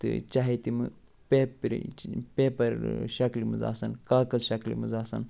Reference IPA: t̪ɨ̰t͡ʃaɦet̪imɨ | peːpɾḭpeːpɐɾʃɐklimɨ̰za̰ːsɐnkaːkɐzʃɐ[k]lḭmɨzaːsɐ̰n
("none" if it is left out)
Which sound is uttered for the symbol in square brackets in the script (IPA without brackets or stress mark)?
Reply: k